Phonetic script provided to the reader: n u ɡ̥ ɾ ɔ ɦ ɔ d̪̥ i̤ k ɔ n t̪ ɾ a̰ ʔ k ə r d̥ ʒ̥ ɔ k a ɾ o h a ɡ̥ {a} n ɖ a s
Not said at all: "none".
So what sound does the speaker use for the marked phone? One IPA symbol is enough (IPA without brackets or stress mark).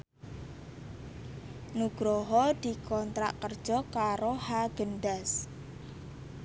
ə